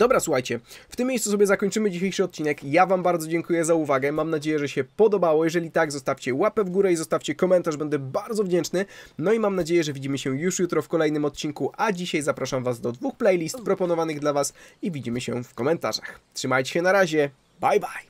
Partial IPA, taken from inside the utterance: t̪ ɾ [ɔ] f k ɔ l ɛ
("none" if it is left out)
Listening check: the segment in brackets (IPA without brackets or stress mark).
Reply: ɔ